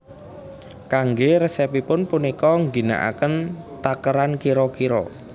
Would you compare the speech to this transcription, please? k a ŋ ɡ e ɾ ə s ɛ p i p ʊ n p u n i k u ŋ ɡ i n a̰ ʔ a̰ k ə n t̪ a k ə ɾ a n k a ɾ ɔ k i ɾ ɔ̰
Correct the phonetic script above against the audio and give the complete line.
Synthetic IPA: k a ŋ ɡ e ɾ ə s ɛ p i p ʊ n p u n i k ɔ ŋ ɡ i n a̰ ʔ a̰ k ə n t̪ a k ə ɾ a n k i ɾ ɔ k i ɾ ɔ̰